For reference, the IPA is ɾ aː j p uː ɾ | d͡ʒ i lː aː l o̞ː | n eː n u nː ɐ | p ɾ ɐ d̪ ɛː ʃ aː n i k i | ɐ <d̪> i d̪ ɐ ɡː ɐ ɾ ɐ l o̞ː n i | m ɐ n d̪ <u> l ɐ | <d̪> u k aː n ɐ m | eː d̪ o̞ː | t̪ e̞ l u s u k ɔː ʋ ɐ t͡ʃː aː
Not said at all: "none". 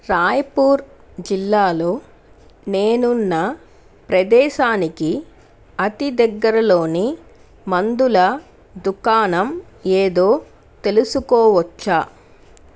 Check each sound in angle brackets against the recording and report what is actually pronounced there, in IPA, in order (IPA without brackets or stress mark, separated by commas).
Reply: t̪, u, d̪